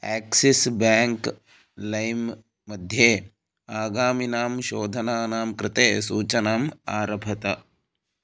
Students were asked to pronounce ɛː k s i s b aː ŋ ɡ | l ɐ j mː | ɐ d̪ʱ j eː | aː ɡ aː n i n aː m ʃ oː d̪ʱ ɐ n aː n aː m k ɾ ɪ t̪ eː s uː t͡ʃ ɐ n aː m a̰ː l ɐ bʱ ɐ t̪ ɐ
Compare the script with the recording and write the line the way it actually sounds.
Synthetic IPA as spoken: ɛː k s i s b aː ŋ k | l ɐ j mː | ɐ d̪ʱ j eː | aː ɡ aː m i n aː m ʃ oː d̪ʱ ɐ n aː n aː m k ɾ ɪ t̪ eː s uː t͡ʃ ɐ n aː m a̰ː ɾ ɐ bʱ ɐ t̪ ɐ